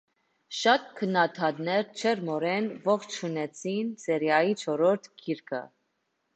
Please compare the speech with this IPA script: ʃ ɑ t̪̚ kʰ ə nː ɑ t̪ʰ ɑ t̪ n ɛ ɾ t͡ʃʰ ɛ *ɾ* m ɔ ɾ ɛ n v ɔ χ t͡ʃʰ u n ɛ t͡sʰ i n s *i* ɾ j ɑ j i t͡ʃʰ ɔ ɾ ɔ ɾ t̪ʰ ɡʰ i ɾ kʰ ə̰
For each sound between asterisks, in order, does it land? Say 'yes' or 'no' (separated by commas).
yes, no